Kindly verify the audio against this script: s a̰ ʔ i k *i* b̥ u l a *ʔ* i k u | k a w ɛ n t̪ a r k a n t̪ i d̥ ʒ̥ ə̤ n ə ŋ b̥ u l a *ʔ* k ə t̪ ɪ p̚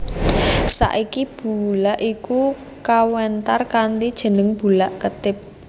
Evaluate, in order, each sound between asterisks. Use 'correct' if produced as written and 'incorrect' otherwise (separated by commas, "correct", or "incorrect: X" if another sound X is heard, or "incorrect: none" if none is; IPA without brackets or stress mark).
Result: correct, correct, correct